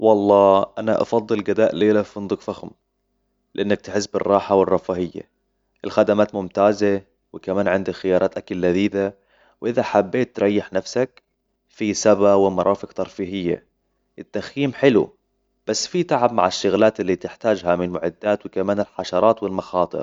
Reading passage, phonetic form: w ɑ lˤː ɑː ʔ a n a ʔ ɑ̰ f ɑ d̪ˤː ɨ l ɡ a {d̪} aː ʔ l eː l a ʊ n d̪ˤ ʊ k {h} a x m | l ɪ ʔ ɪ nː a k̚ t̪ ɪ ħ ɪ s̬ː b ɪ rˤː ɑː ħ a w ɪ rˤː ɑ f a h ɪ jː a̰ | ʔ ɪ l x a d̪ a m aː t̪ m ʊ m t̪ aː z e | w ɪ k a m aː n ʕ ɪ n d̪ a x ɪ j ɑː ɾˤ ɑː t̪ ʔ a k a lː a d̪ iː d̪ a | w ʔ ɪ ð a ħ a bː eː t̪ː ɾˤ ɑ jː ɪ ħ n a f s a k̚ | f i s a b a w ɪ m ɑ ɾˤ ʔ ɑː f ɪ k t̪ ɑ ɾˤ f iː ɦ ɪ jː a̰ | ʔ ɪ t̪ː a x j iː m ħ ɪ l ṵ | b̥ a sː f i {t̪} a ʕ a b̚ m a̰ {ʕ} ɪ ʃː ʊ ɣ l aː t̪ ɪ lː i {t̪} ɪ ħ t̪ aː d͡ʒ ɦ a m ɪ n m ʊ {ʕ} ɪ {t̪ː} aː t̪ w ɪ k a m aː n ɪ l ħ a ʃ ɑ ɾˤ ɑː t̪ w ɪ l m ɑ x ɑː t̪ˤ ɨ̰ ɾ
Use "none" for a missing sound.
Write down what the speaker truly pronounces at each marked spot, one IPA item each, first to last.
d̪, f, t̪, ʕ, t̪, ʕ, d̪ː

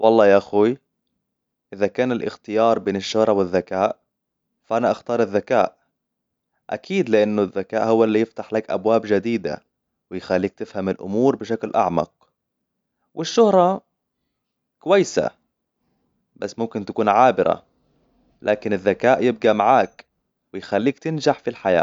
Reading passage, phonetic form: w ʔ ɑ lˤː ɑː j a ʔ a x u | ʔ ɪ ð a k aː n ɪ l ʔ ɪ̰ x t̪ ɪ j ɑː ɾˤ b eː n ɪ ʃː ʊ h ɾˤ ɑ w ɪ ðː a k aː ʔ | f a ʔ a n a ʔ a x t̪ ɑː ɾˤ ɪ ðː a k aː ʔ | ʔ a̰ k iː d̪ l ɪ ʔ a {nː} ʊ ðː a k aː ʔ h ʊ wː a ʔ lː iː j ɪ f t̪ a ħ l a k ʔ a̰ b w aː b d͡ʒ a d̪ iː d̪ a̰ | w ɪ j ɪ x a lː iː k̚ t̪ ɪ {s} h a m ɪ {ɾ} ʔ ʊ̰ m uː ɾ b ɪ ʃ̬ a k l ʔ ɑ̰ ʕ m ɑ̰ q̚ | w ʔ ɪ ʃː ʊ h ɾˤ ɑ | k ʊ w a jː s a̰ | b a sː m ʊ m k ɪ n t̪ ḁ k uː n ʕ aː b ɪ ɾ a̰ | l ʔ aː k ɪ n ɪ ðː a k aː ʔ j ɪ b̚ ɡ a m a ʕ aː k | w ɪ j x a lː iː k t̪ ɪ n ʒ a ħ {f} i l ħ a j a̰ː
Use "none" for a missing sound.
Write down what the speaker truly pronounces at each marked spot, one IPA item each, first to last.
nː, f, l, f

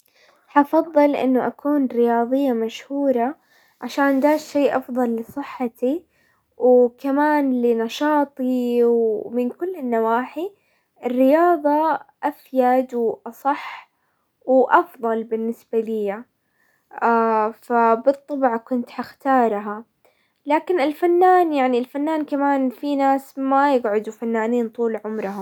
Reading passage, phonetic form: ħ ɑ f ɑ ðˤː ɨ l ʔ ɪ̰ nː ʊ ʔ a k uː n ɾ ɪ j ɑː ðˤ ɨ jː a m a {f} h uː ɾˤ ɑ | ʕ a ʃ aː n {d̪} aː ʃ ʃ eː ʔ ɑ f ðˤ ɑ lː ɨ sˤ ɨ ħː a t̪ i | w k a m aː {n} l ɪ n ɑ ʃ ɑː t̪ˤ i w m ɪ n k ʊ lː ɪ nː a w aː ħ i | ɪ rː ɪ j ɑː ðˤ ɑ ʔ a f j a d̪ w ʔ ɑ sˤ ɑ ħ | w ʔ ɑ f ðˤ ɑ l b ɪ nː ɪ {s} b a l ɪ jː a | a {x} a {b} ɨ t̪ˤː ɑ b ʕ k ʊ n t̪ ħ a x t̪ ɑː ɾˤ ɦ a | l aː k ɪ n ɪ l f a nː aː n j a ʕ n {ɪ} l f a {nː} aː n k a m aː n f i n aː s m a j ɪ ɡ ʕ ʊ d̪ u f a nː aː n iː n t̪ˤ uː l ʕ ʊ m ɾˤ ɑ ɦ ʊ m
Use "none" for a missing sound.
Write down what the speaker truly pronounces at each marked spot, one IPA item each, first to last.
ʃ, d̪, n, s, f, b, i, nː

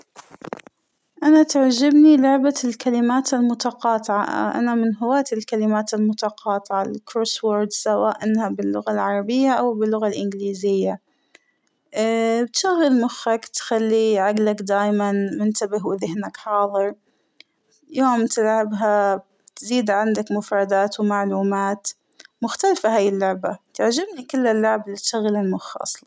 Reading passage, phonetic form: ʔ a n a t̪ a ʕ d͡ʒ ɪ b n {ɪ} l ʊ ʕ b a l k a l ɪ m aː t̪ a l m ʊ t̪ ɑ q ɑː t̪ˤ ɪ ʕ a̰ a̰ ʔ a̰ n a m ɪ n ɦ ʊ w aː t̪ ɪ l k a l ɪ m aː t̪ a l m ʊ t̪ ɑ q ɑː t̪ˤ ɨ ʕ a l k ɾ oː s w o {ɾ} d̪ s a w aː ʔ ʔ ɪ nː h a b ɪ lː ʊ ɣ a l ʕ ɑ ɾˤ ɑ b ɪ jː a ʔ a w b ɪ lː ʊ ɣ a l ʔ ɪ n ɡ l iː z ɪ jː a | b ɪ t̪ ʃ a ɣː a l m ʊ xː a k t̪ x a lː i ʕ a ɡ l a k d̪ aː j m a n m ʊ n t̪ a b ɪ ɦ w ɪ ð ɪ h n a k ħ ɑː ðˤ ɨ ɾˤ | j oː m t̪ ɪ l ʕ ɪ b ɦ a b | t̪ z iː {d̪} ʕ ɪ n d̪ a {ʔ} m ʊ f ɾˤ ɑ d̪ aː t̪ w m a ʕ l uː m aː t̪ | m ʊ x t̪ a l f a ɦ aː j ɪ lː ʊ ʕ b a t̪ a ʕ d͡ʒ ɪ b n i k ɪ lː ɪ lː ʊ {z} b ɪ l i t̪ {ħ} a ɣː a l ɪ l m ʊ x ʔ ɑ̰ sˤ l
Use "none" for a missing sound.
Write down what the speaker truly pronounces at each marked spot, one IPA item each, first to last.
i, ɾ, d̪, k, ʕ, ʃ

